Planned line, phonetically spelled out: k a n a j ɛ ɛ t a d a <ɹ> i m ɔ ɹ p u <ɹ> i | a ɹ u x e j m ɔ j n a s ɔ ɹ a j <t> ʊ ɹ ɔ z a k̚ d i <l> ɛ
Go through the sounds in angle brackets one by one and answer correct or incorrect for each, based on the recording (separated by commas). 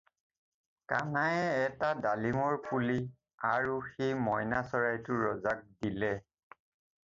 incorrect, incorrect, correct, correct